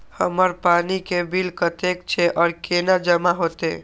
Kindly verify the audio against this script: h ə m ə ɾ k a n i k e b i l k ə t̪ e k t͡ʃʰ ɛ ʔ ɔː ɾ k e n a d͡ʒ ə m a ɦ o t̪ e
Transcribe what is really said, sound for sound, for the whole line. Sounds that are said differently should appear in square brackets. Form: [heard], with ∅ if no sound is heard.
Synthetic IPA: h ə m ə ɾ [p] a n i k e b i l k ə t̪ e k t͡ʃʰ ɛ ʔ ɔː ɾ k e n a d͡ʒ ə m a ɦ o t̪ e